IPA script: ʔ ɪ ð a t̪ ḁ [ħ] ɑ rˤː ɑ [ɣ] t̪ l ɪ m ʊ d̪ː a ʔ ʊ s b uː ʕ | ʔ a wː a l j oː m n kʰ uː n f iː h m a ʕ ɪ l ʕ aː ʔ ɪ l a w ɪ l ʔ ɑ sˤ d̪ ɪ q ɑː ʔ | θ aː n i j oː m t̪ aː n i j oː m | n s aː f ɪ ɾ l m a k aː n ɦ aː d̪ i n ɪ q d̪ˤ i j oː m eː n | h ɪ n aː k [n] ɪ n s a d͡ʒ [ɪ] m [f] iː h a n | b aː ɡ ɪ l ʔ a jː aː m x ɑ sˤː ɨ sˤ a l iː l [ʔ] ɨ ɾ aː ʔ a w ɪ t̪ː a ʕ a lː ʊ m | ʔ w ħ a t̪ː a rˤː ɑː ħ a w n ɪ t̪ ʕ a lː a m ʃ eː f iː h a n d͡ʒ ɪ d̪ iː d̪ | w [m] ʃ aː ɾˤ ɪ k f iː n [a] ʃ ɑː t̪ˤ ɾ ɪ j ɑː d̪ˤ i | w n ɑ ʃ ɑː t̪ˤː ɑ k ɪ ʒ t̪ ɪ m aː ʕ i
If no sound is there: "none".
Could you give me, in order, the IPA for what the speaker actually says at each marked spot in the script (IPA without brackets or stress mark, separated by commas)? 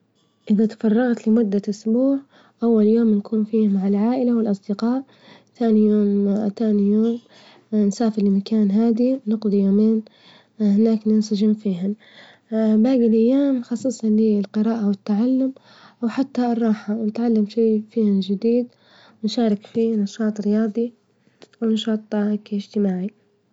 f, ɣ, n, ɪ, f, q, n, ɑ